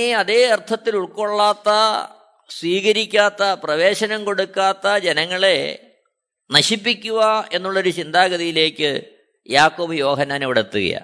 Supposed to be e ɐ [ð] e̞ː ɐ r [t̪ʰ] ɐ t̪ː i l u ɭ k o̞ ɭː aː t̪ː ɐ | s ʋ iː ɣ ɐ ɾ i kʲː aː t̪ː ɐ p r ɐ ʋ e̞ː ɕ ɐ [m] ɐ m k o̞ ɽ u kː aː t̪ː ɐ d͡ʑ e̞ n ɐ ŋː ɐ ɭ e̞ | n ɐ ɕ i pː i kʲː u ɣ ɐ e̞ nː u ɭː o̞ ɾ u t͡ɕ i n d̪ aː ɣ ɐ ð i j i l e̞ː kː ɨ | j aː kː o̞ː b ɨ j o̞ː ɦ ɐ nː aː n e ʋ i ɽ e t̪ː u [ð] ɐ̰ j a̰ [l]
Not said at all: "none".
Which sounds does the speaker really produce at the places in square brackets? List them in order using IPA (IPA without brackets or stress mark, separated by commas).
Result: ð, t̪ʰ, n, ɣ, none